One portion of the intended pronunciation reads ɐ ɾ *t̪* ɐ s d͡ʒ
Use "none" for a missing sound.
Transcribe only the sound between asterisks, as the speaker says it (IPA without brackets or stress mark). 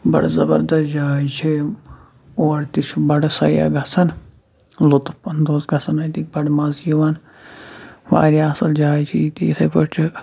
d̪